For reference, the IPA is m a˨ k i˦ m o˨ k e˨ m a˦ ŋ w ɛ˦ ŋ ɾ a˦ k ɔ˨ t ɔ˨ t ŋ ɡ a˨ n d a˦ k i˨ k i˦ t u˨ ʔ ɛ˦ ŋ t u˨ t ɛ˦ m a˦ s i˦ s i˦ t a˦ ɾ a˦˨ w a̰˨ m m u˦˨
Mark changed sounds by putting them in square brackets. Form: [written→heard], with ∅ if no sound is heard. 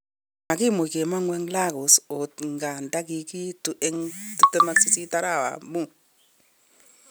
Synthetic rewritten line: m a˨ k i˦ m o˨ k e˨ m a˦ ŋ w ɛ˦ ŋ [ɾ→l] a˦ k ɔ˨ [t→s] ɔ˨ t ŋ ɡ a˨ n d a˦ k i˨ k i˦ t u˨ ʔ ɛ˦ ŋ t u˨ t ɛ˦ m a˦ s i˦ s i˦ t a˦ ɾ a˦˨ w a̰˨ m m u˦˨